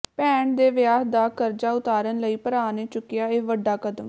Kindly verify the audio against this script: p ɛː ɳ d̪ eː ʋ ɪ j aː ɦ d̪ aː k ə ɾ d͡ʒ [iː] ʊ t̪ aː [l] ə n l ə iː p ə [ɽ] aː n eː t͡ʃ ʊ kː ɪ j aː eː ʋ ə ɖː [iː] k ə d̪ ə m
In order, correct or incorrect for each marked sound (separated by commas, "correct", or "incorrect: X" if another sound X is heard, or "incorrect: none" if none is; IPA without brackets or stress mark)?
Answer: incorrect: aː, incorrect: ɾ, incorrect: ɾ, incorrect: aː